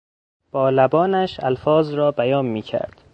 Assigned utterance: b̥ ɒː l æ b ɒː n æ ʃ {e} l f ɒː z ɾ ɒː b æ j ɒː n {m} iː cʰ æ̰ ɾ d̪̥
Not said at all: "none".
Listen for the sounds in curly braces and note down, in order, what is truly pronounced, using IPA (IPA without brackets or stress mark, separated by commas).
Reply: æ, m